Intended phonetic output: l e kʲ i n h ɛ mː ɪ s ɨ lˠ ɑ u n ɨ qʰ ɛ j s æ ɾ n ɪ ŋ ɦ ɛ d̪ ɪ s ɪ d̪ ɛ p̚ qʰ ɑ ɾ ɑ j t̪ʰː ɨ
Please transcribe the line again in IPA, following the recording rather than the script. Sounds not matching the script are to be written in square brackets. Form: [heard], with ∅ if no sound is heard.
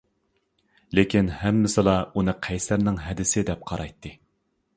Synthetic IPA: l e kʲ i n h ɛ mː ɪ s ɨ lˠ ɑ u n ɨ qʰ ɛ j s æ ɾ n ɪ ŋ ɦ ɛ d̪ ɪ s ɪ d̪ ɛ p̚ qʰ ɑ ɾ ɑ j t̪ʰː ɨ